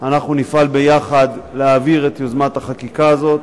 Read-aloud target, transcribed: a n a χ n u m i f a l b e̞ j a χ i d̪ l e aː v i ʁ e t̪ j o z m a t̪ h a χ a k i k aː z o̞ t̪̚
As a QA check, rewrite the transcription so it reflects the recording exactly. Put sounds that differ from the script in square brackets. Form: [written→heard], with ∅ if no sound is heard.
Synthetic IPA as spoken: a n a χ n u [m→n] i f a l b e̞ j a χ [i→a] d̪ l e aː v i ʁ e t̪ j o z m a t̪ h a χ a k i k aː z o̞ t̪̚